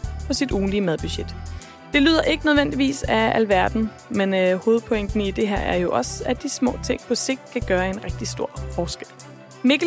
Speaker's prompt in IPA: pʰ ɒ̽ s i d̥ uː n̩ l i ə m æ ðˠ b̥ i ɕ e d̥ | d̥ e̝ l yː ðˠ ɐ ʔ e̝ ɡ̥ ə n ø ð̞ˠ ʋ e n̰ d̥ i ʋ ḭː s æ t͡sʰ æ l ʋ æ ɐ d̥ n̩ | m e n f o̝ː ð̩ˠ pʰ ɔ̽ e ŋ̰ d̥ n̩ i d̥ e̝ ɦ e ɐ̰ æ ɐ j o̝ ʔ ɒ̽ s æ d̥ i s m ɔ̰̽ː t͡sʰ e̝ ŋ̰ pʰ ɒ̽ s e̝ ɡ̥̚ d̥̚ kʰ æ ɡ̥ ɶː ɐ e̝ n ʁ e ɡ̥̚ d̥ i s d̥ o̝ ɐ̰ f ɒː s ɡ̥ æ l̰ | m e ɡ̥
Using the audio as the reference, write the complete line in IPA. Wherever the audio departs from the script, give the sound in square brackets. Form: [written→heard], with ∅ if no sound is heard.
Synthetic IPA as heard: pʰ ɒ̽ s i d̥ uː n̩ l i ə m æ ðˠ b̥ [i→y] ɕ e d̥ | d̥ e̝ l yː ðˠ ɐ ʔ e̝ ɡ̥ ə n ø ð̞ˠ ʋ e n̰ d̥ i ʋ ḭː s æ [t͡sʰ→∅] æ l ʋ æ ɐ d̥ n̩ | m e n [f→h] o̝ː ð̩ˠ pʰ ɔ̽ e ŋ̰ d̥ n̩ i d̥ e̝ ɦ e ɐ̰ æ ɐ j o̝ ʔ ɒ̽ s æ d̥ i s m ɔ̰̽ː t͡sʰ e̝ ŋ̰ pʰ ɒ̽ s e̝ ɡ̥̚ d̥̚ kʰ æ ɡ̥ ɶː ɐ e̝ n ʁ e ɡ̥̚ d̥ i s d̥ o̝ ɐ̰ f ɒː s ɡ̥ [æ→e] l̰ | m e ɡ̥